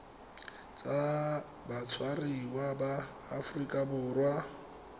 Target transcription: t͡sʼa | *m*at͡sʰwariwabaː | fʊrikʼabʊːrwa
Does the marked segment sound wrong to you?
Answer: yes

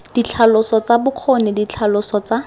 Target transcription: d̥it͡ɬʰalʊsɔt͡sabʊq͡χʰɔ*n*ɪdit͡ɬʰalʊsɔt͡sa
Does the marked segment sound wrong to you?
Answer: no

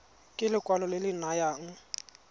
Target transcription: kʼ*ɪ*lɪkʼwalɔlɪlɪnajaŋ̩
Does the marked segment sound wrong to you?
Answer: no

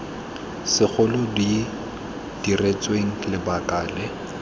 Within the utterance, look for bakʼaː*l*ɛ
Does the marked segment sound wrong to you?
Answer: no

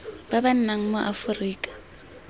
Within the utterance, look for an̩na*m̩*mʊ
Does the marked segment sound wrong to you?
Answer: yes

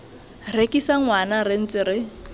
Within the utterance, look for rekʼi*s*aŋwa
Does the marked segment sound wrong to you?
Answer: no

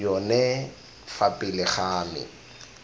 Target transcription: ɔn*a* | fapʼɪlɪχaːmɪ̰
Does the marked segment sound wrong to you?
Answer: yes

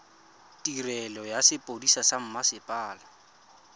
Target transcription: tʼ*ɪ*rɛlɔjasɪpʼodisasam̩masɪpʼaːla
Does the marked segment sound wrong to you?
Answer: yes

